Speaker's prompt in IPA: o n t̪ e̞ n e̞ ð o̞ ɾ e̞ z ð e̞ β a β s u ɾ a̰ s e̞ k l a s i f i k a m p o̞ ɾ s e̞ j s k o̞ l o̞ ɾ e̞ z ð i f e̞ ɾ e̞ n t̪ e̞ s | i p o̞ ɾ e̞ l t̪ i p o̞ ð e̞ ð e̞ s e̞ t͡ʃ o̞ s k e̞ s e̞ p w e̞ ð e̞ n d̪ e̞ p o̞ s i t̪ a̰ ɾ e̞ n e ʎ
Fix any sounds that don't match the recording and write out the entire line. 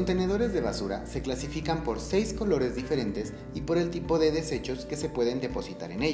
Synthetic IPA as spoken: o n t̪ e̞ n e̞ ð o̞ ɾ e̞ z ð e̞ β a s u ɾ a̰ s e̞ k l a s i f i k a m p o̞ ɾ s e̞ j s k o̞ l o̞ ɾ e̞ z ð i f e̞ ɾ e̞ n t̪ e̞ s | i p o̞ ɾ e̞ l t̪ i p o̞ ð e̞ ð e̞ s e̞ t͡ʃ o̞ s k e̞ s e̞ p w e̞ ð e̞ n d̪ e̞ p o̞ s i t̪ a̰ ɾ e̞ n e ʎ